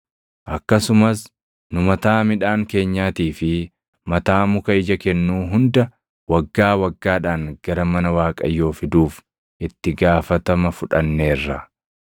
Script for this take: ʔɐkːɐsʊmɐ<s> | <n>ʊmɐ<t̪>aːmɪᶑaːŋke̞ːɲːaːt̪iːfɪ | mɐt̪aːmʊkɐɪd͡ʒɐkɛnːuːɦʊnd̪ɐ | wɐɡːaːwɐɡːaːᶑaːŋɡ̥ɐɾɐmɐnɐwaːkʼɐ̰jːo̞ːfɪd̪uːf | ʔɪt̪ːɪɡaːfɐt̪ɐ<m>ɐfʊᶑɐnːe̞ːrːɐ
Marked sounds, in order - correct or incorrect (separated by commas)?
correct, correct, correct, correct